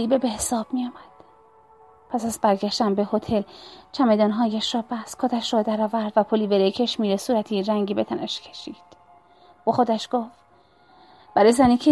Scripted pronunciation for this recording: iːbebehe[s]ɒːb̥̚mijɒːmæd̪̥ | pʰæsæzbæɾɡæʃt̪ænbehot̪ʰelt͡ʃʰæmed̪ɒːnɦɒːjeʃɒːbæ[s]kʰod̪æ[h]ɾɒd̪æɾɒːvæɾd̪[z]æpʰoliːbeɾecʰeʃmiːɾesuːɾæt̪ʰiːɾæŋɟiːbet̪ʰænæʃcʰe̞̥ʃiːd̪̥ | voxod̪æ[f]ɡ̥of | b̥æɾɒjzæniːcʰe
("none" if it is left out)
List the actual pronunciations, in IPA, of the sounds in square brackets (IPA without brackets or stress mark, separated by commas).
s, s, ʃ, v, ʃ